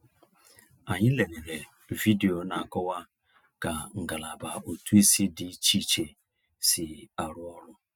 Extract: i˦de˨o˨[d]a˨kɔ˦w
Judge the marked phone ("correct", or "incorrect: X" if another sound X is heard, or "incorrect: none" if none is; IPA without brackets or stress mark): incorrect: n